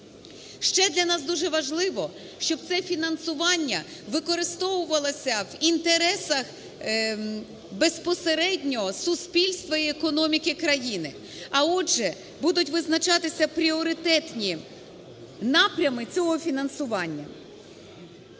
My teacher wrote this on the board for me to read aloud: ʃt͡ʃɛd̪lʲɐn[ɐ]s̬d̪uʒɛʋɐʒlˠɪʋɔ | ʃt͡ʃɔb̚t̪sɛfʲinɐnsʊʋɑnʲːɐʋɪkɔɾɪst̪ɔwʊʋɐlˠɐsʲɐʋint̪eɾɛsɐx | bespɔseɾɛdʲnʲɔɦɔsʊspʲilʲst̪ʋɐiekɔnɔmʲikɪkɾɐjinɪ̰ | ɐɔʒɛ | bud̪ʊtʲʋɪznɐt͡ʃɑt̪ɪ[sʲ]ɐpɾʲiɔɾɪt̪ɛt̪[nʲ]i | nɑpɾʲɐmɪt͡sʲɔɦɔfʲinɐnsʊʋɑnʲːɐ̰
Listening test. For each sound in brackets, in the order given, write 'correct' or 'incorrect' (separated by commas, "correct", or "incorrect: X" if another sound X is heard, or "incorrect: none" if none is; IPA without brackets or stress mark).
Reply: incorrect: ɑ, correct, correct